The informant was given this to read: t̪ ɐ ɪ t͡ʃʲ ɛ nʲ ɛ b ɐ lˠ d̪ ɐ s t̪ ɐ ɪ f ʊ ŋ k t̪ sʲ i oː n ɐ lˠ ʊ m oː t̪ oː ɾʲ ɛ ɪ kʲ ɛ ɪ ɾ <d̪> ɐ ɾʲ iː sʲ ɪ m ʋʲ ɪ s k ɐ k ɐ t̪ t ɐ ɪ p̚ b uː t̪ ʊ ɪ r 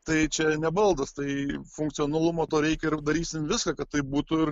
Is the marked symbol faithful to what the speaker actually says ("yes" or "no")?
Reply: yes